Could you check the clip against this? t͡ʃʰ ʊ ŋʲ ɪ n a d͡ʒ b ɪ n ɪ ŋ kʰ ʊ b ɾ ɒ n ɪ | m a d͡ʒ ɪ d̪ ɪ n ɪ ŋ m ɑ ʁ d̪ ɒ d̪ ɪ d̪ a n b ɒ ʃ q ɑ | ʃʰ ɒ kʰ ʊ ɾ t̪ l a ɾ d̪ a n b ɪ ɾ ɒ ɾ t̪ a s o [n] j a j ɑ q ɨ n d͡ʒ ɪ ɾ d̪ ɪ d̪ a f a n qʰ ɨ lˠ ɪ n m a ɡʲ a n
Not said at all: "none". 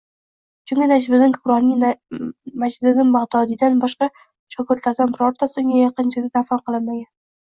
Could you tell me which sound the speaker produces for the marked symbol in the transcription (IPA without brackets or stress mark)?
ŋ